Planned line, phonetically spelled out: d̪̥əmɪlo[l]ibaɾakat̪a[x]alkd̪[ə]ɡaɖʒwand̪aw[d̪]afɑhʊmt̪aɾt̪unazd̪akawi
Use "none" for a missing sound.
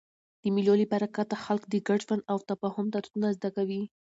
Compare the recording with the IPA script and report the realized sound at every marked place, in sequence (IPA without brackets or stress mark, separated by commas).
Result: l, x, ə, t̪